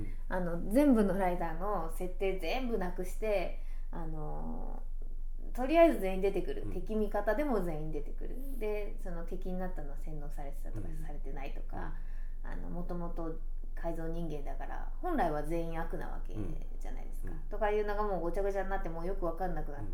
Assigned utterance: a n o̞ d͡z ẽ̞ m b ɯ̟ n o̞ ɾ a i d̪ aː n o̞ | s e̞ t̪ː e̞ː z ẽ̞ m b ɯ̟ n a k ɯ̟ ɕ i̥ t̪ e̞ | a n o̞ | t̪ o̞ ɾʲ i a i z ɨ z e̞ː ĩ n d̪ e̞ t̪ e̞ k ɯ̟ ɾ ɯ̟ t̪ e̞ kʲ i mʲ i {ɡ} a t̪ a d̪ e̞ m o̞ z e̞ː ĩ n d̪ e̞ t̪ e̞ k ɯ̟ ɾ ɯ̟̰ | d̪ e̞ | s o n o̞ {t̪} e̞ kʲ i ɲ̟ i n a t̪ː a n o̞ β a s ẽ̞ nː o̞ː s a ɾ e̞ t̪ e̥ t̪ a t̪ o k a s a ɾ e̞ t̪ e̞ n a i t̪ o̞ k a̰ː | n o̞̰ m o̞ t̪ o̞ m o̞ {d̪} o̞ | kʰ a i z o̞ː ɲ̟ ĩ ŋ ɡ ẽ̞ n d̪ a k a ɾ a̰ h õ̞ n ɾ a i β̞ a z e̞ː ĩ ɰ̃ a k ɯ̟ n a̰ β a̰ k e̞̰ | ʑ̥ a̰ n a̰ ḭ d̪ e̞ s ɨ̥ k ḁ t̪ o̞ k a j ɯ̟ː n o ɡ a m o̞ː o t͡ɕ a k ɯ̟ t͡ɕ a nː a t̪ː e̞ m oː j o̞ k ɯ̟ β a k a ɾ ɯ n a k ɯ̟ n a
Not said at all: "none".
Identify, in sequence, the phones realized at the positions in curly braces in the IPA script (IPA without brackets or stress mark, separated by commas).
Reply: k, t̪, t̪